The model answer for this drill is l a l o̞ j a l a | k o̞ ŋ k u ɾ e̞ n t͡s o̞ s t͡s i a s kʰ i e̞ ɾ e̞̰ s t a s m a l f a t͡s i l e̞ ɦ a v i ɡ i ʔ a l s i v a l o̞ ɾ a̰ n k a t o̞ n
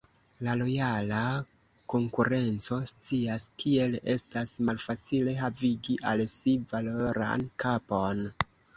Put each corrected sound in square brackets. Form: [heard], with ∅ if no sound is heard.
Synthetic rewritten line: l a l o̞ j a l a | k o̞ ŋ k u ɾ e̞ n t͡s o̞ s t͡s i a s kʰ i e̞ [l] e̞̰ s t a s m a l f a t͡s i l e̞ ɦ a v i ɡ i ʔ a l s i v a l o̞ ɾ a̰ n k a [p] o̞ n